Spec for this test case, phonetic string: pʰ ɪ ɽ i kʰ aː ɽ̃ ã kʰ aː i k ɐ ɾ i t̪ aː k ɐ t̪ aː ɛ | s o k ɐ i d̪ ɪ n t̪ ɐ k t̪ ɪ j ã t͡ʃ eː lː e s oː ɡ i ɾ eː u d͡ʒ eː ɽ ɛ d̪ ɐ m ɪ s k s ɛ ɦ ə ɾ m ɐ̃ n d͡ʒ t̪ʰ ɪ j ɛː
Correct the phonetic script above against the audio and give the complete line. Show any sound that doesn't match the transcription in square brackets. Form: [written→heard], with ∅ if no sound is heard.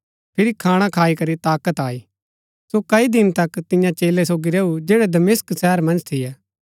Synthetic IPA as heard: pʰ ɪ [ɽ→ɾ] i kʰ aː ɽ̃ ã kʰ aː i k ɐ ɾ i t̪ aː k [ɐ→ə] t̪ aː [ɛ→i] | s o k ɐ i d̪ ɪ n t̪ ɐ k t̪ ɪ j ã t͡ʃ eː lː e s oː ɡ i ɾ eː u d͡ʒ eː ɽ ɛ d̪ ɐ m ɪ s k s ɛ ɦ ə ɾ m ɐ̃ n d͡ʒ t̪ʰ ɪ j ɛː